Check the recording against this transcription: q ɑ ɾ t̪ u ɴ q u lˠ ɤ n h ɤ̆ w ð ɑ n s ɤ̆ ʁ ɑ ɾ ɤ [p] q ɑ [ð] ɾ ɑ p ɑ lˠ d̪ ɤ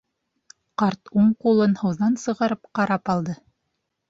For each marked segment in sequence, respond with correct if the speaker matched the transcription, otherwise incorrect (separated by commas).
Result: correct, incorrect